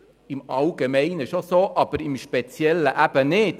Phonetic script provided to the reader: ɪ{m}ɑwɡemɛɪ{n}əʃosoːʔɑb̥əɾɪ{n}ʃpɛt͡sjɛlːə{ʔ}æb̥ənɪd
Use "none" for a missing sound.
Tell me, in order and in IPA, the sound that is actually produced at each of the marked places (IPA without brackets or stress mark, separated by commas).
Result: m, n, m, ʔ